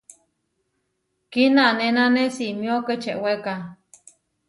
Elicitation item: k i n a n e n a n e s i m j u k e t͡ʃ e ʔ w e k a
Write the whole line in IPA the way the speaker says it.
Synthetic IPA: k i n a n e n a n e s i m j o k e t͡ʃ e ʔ w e k a